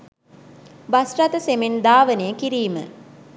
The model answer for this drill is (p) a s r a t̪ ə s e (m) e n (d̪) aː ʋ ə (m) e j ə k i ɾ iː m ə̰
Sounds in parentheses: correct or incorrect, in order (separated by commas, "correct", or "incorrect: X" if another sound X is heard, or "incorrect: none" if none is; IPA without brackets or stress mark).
incorrect: b, correct, correct, incorrect: n